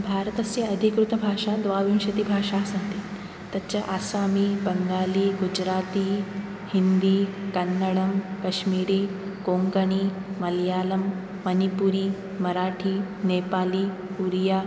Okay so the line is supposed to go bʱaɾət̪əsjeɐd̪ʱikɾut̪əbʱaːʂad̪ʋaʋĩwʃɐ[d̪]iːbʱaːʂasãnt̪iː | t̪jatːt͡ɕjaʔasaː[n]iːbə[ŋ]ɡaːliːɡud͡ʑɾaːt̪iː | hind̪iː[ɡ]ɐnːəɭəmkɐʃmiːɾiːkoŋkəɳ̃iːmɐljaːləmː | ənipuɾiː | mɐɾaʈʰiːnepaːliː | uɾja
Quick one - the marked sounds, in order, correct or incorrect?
incorrect: t̪, incorrect: m, correct, incorrect: k

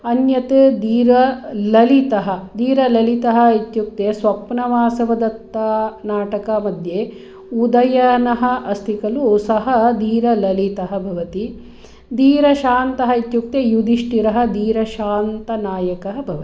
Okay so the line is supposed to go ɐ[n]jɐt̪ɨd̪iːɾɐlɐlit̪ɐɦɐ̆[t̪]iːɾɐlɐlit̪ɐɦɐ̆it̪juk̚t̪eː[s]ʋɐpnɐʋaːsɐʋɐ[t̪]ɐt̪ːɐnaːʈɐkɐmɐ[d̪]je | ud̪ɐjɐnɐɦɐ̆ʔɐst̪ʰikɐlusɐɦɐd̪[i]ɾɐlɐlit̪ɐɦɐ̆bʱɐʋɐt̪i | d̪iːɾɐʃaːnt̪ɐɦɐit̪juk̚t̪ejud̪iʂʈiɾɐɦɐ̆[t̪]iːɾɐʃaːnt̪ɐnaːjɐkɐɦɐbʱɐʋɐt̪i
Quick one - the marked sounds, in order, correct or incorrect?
correct, incorrect: d̪, correct, incorrect: d̪, correct, incorrect: iː, incorrect: d̪

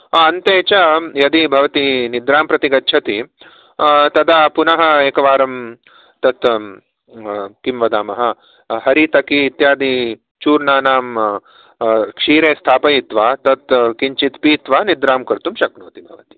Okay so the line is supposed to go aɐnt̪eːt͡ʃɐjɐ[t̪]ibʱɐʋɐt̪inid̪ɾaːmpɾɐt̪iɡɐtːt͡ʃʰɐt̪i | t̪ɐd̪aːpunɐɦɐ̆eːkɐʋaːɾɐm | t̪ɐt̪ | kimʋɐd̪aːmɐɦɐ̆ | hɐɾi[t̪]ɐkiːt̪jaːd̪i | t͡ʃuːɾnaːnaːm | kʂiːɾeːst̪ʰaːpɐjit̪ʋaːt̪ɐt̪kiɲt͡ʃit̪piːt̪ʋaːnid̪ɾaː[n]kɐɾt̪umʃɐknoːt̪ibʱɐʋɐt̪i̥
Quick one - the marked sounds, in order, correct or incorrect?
incorrect: d̪, correct, incorrect: m

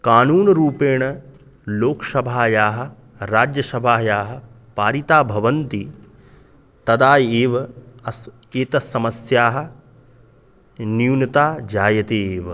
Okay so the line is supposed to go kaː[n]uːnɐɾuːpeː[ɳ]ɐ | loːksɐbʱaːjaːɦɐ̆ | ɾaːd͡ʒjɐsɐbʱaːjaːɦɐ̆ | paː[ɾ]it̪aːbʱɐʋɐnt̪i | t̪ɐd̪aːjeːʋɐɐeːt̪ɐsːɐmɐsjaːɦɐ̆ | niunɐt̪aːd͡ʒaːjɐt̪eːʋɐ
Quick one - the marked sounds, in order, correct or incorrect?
correct, correct, correct

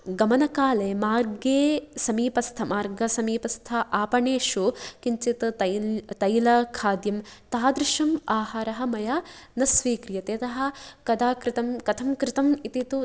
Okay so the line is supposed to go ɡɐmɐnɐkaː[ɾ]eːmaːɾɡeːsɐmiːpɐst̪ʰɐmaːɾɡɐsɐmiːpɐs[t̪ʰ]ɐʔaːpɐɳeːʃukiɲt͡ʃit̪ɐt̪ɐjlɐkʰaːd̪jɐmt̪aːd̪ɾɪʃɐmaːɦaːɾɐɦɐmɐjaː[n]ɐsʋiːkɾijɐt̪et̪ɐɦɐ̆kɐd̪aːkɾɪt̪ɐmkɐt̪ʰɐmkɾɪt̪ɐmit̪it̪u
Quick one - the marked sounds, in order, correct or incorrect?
incorrect: l, correct, correct

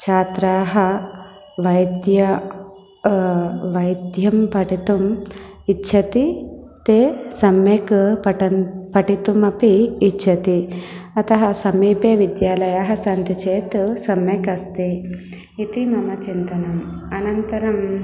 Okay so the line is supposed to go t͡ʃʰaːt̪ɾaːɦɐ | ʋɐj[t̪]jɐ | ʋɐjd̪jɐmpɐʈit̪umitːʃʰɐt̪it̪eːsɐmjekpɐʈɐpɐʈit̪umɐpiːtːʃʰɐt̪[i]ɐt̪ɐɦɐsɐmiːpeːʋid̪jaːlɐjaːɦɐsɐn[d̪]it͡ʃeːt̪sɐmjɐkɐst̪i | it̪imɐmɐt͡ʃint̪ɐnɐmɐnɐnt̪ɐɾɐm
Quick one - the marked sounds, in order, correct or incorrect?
incorrect: d̪, correct, incorrect: t̪

